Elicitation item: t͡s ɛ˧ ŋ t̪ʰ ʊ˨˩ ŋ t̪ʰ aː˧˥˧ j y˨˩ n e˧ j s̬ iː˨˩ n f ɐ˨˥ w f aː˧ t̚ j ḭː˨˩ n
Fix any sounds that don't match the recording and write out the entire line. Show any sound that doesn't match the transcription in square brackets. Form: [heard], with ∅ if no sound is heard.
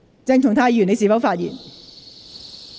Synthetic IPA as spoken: t͡s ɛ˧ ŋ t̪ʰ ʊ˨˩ ŋ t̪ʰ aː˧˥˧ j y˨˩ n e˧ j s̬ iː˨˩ [∅] f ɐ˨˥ w f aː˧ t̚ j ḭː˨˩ n